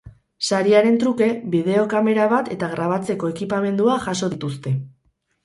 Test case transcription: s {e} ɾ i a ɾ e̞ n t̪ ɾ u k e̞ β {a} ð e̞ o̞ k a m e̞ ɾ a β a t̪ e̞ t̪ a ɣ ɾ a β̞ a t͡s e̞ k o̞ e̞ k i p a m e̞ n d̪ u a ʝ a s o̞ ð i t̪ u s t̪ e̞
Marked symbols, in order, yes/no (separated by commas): no, no